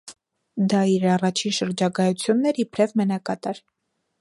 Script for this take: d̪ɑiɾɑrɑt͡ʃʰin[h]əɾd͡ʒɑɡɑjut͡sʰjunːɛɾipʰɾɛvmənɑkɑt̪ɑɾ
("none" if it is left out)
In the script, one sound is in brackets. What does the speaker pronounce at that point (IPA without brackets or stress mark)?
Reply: ʃ